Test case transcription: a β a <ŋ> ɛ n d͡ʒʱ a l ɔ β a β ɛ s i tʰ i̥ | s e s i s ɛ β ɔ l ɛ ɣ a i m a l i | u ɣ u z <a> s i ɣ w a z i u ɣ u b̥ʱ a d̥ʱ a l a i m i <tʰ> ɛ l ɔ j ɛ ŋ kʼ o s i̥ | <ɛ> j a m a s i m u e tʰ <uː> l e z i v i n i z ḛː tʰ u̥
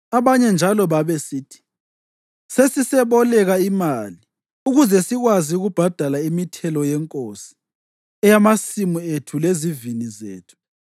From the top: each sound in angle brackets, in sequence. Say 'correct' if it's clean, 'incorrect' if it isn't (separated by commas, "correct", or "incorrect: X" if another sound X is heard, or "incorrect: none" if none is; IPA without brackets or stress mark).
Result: incorrect: ɲ, incorrect: ɛ, correct, correct, incorrect: u